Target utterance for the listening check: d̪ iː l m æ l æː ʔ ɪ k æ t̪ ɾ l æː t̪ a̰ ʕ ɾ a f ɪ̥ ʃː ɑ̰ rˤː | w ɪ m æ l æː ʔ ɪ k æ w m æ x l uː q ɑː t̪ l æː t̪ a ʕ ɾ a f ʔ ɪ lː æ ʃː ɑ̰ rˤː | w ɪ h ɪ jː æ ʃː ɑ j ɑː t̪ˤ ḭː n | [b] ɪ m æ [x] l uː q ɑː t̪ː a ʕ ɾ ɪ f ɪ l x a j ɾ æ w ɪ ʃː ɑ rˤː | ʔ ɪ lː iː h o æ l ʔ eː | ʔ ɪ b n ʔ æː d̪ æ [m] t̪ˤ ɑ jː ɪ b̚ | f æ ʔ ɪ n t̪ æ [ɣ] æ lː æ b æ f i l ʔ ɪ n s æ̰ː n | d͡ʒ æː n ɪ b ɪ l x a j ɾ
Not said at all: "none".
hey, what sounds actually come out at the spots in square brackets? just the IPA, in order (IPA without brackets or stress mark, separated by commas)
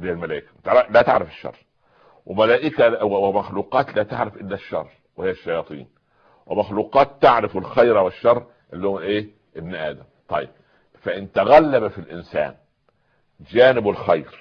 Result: w, x, m, ɣ